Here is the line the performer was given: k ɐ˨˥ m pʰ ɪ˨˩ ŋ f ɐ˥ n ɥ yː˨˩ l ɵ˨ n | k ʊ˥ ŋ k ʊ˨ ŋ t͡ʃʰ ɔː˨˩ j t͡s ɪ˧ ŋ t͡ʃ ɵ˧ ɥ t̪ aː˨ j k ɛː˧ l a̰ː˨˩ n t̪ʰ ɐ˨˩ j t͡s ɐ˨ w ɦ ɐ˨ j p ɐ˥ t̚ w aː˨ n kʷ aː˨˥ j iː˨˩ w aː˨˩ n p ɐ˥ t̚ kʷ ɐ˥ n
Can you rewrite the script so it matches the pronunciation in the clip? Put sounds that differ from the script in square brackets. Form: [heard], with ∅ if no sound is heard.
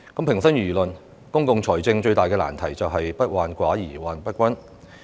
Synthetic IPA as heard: k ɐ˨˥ m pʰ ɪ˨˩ ŋ [s] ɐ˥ n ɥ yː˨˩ l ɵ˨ n | k ʊ˥ ŋ k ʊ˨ ŋ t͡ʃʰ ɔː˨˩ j t͡s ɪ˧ ŋ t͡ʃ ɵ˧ ɥ t̪ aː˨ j k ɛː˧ l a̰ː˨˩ n t̪ʰ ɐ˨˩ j t͡s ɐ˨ w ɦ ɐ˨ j p ɐ˥ t̚ w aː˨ n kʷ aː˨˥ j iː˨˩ w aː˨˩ n p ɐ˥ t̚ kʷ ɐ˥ n